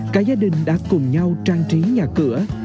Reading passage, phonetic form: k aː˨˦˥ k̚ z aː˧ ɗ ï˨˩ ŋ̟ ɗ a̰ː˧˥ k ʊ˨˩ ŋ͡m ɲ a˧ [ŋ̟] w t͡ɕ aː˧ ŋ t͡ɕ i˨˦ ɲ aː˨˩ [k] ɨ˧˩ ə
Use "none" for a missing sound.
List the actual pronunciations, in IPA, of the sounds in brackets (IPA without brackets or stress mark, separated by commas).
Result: none, k